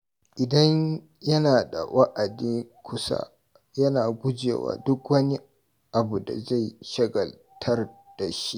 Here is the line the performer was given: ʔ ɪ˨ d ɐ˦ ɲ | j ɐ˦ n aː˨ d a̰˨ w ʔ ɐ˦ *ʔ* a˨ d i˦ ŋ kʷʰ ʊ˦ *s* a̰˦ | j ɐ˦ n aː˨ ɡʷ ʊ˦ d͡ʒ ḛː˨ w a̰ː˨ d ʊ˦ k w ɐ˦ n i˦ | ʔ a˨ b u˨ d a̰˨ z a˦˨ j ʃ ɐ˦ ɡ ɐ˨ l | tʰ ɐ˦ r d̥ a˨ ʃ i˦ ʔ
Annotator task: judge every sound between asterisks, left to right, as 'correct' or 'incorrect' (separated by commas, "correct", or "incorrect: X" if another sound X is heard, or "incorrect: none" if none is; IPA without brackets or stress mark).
correct, correct